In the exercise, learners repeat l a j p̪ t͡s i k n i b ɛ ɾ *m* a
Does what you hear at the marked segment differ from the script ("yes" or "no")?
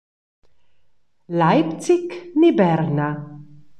yes